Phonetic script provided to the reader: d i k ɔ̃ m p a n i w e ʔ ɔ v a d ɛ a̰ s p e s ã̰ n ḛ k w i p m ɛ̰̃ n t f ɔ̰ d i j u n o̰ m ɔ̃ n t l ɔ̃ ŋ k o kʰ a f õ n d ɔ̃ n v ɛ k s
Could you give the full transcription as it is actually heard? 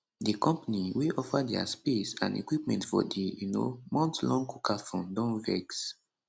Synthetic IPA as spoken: d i k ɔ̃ m p a n i w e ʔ ɔ f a d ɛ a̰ s p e s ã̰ n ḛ k w i p m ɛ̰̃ n t f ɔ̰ d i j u n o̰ m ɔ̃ n t l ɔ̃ ŋ k u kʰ a f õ n d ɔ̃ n v ɛ k s

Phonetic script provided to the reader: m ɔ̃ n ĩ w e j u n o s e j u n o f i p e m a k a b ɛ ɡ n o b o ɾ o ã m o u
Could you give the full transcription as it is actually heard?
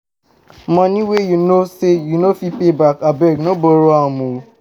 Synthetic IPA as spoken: m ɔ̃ n ĩ w e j u n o s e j u n o f i p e b a k a b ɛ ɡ n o b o ɾ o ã m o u

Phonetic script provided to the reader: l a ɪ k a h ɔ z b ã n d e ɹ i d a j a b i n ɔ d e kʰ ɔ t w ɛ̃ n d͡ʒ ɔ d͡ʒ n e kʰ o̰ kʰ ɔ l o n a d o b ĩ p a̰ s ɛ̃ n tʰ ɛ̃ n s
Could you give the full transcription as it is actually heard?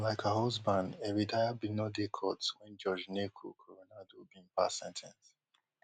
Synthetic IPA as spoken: l a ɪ k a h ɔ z b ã n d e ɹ i d a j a b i n ɔ d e kʰ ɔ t w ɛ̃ n d͡ʒ ɔ d͡ʒ n e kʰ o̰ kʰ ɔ ɹ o n a d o b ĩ p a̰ s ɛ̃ n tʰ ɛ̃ n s

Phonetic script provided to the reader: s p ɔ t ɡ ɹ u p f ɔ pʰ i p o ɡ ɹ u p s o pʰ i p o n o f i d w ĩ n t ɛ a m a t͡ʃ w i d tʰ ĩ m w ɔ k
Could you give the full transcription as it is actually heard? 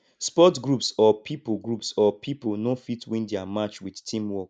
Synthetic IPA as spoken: s p ɔ t ɡ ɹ u p s ɔ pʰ i p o ɡ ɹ u p s ɔ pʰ i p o n o f i t w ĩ n d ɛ a m a t͡ʃ w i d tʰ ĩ m w ɔ k

